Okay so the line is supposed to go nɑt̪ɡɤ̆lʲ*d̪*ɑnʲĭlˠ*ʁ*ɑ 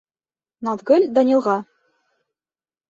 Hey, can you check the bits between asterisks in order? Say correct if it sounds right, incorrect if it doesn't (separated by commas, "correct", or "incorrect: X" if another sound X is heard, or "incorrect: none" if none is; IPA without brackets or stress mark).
correct, correct